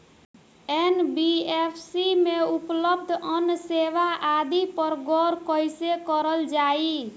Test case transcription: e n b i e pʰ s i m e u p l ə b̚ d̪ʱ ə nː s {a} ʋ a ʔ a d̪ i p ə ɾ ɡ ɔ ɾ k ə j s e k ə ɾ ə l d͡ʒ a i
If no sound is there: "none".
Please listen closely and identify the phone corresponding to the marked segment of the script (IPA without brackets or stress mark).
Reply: e